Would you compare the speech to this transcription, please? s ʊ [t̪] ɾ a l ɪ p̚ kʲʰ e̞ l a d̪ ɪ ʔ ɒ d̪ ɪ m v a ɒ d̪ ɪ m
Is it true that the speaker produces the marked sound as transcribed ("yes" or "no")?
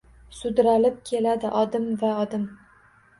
no